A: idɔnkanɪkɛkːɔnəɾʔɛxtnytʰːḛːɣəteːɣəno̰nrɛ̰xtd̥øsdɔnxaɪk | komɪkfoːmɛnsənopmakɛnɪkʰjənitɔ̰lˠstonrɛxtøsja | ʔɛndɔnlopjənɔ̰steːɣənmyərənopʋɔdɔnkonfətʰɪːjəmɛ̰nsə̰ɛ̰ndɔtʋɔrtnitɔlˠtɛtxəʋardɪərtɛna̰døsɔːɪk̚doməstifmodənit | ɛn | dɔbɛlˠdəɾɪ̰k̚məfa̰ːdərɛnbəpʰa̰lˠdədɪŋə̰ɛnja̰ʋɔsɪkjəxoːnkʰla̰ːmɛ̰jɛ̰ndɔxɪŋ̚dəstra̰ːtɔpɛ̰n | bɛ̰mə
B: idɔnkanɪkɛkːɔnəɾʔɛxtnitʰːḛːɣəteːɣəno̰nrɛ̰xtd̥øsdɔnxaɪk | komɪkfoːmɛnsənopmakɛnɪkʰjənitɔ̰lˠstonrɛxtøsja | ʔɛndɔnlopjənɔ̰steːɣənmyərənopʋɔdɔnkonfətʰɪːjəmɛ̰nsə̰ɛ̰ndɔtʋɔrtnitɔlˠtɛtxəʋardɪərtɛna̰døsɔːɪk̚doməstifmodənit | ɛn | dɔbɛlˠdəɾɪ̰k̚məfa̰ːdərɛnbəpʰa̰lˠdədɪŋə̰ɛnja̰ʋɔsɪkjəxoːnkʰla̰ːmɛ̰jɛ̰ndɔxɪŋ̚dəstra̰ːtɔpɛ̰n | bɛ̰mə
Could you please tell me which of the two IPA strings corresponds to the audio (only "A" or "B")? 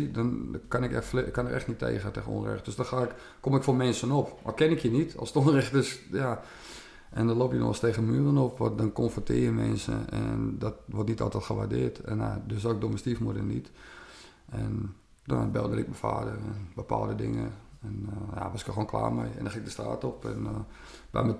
B